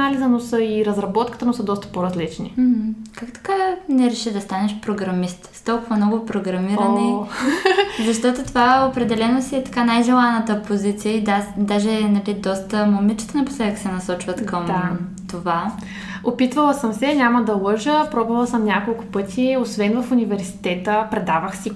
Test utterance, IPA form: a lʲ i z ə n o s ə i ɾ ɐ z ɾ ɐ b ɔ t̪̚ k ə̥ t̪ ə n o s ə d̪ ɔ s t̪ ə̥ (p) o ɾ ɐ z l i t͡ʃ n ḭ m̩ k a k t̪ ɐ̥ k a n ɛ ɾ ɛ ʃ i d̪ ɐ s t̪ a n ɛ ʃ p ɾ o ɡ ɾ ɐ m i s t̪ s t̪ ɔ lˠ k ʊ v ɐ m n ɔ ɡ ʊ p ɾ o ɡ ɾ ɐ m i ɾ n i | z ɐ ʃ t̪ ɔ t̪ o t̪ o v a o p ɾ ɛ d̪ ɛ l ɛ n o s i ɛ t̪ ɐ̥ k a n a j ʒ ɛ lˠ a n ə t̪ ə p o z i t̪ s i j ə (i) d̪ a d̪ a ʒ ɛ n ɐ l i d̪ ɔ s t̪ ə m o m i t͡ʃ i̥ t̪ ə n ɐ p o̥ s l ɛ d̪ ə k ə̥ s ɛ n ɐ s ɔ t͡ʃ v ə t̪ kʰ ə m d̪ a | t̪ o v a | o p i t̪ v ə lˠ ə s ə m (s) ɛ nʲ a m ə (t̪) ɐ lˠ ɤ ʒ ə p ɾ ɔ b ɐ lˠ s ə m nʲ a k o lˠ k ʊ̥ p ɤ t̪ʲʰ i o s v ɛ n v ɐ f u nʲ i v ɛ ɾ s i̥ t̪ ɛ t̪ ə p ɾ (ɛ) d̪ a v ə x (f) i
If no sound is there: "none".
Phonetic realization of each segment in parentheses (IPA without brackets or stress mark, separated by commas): p, i, s, d̪, ɛ, s